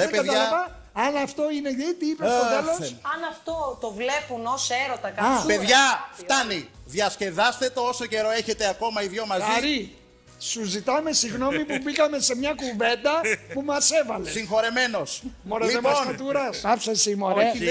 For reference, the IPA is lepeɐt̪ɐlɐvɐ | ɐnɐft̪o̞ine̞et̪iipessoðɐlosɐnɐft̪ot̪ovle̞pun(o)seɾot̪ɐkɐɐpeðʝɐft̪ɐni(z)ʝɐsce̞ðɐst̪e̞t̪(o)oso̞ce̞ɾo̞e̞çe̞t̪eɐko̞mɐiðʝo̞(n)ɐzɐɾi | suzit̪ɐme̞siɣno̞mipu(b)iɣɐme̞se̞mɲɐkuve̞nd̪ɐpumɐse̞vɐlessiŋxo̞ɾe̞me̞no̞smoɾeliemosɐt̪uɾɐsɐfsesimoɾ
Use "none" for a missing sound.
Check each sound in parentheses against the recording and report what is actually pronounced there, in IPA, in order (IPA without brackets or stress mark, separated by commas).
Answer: o, ð, o, m, b